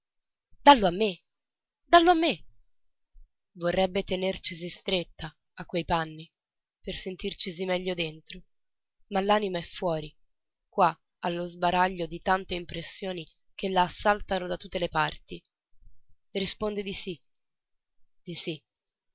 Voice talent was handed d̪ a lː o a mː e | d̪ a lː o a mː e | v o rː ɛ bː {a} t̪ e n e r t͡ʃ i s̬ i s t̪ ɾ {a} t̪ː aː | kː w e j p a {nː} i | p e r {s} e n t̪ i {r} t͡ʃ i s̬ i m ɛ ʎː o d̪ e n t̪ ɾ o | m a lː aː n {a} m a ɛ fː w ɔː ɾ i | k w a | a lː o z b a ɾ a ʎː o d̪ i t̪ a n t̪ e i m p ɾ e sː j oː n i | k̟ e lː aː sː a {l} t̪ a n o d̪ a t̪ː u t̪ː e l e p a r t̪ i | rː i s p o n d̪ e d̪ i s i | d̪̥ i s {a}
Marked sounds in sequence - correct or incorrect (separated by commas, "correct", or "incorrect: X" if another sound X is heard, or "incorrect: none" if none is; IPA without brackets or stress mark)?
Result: incorrect: e, incorrect: e, correct, correct, correct, incorrect: i, correct, incorrect: i